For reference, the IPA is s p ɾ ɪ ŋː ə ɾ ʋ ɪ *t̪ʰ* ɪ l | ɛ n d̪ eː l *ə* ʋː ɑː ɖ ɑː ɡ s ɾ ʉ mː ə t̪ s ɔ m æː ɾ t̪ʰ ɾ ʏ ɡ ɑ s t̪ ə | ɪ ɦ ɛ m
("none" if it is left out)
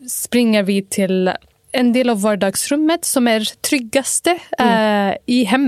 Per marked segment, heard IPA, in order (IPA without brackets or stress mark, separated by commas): t̪ʰ, ɑ